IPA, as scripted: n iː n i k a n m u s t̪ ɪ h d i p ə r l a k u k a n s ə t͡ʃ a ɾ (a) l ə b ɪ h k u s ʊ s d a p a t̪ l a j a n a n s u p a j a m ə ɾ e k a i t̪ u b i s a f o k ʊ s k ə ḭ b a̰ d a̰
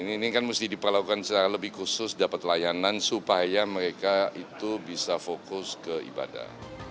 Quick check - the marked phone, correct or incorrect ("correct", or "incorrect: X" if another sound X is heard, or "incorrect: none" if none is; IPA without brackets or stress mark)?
correct